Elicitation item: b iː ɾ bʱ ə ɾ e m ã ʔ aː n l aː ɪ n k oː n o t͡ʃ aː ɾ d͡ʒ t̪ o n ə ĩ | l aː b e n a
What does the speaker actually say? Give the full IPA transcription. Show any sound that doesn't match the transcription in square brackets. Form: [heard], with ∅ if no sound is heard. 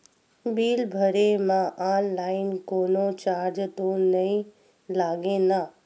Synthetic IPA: b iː [l] bʱ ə ɾ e m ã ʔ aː n l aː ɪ n k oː n o t͡ʃ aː ɾ d͡ʒ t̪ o n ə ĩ | l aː [ɡ] e n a